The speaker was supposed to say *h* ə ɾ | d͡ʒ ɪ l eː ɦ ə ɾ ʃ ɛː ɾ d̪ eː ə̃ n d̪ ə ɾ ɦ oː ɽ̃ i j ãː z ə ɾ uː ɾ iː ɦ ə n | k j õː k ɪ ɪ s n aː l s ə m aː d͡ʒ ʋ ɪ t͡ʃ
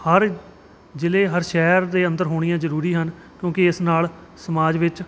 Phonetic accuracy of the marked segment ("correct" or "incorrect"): correct